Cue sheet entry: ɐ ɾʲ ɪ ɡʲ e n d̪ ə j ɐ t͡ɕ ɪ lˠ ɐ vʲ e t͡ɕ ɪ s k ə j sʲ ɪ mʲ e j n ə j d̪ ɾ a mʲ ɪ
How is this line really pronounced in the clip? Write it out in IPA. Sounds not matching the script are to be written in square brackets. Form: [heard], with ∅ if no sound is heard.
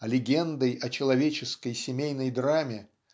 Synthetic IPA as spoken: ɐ [lʲ] ɪ ɡʲ e n d̪ ə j ɐ t͡ɕ ɪ lˠ ɐ vʲ e t͡ɕ ɪ s k ə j sʲ ɪ mʲ e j n ə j d̪ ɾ a mʲ ɪ